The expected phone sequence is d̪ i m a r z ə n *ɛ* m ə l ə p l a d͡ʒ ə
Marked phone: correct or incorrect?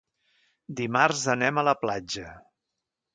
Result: correct